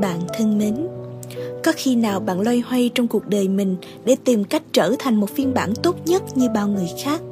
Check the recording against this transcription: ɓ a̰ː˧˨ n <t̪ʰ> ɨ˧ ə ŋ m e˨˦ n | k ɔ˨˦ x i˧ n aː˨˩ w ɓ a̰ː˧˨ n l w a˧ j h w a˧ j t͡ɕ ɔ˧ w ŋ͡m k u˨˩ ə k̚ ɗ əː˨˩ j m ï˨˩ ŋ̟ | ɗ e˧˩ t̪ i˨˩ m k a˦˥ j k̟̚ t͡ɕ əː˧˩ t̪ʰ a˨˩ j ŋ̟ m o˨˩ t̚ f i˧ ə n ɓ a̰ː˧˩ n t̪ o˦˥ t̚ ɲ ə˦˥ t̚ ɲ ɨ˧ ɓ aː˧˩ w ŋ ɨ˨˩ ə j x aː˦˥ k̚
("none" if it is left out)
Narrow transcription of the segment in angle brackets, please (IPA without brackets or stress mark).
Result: t̪ʰ